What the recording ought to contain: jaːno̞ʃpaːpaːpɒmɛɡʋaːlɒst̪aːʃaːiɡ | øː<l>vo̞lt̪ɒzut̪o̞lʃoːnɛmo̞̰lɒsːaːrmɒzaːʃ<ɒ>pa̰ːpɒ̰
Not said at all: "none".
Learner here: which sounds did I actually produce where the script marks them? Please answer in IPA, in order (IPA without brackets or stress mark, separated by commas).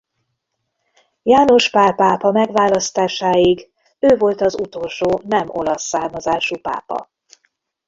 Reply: none, u